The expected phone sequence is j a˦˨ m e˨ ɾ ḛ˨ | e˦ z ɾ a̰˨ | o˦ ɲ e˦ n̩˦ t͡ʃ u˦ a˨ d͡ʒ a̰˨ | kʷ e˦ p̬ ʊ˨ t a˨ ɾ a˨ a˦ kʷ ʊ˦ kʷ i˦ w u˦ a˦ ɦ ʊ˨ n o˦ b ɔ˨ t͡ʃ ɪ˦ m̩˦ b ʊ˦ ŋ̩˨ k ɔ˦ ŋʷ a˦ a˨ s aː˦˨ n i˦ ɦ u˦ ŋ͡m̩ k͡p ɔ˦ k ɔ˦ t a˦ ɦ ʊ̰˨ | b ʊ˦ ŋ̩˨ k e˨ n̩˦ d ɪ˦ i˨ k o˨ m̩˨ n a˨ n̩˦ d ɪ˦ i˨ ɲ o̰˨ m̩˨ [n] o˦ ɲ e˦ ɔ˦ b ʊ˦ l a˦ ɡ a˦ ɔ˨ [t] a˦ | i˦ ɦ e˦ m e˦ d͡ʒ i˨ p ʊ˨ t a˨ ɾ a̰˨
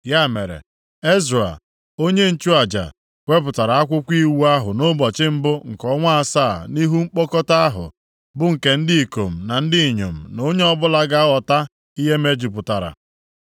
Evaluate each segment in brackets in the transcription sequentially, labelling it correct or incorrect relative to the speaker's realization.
correct, correct

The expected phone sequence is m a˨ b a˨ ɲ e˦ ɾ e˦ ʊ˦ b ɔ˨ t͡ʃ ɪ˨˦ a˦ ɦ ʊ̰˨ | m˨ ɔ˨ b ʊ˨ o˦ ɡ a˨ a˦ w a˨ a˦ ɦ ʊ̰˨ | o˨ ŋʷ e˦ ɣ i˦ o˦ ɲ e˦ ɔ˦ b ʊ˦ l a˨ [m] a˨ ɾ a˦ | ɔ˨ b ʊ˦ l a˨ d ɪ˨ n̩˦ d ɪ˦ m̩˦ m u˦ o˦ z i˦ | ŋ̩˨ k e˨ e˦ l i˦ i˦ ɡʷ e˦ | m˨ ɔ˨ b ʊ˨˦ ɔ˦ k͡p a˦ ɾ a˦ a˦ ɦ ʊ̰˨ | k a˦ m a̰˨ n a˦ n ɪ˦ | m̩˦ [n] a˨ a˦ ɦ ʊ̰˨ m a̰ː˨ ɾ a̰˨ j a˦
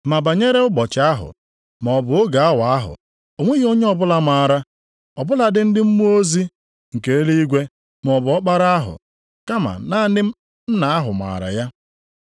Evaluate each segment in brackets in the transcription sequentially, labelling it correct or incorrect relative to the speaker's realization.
correct, correct

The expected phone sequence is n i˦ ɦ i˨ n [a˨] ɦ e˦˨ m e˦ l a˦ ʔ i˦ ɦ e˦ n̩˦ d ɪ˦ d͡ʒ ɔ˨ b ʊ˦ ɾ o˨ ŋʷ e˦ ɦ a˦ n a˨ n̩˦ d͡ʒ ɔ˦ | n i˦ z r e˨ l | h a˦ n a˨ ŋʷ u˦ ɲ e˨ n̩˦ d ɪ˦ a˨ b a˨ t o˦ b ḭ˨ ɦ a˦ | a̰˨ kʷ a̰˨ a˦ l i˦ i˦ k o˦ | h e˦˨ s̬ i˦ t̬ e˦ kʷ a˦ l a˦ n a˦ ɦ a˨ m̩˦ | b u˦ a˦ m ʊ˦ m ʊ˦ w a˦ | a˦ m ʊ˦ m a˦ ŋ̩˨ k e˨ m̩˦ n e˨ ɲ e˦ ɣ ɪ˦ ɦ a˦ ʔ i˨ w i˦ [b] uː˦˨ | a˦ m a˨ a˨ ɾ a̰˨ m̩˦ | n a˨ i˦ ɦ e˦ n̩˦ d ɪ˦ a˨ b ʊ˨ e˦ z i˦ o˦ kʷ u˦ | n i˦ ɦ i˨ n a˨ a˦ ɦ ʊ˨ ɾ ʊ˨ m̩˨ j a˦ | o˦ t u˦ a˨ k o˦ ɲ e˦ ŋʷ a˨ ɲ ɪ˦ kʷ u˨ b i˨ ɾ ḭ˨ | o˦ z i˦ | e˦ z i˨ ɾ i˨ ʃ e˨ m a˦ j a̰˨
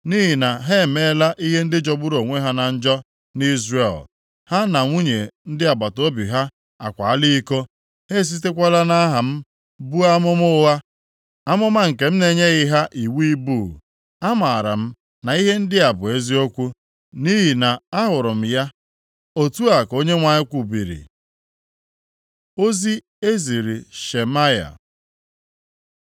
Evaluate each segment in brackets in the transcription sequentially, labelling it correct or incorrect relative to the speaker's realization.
correct, correct

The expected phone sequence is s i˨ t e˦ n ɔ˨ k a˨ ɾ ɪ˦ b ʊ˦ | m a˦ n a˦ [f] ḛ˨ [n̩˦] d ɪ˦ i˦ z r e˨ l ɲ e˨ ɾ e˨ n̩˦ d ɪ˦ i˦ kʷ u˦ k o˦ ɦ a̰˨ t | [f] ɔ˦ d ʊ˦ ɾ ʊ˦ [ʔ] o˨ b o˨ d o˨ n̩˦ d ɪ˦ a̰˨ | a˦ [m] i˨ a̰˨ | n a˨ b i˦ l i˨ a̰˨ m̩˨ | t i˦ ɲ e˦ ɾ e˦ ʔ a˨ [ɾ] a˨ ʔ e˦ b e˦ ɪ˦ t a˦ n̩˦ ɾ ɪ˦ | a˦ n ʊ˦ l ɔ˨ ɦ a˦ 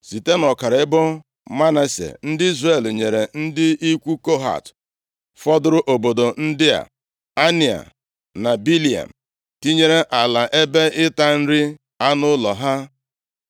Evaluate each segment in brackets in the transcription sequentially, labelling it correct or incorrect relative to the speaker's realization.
incorrect: s, correct, correct, correct, incorrect: n, incorrect: l

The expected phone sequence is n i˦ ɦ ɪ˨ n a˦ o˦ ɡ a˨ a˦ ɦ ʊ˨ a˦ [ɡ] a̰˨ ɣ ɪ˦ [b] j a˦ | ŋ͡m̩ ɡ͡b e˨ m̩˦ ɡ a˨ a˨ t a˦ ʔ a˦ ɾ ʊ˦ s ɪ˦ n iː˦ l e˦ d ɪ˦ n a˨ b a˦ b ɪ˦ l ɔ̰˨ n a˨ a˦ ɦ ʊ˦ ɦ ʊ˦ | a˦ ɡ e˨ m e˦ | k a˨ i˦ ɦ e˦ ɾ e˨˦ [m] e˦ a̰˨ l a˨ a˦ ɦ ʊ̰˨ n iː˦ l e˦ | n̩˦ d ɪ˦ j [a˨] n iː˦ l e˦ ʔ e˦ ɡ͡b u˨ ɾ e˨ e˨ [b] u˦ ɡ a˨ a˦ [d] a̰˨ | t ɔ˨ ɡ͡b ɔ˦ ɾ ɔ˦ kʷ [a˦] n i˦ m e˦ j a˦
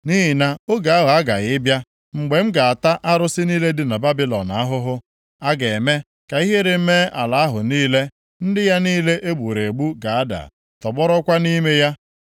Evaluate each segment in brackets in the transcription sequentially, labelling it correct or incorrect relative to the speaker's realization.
correct, correct, correct, incorrect: a˦, incorrect: ɡ͡b, correct, correct

